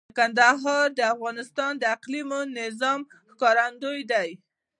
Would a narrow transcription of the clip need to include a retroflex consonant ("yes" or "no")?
no